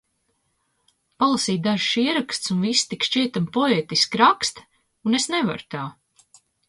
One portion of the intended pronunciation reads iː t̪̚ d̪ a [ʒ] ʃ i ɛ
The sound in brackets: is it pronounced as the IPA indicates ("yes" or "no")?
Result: yes